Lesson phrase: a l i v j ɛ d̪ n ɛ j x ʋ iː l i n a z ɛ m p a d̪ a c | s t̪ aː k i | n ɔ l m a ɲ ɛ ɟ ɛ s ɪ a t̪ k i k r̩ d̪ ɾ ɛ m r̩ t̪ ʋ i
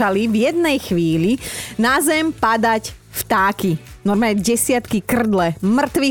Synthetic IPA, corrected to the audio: a l i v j ɛ d̪ n ɛ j x ʋ iː l i n a z ɛ m p a d̪ a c | f t̪ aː k i | n ɔ ɾ m a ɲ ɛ ɟ ɛ s ɪ a t̪ k i k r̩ d̪ l ɛ m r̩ t̪ ʋ i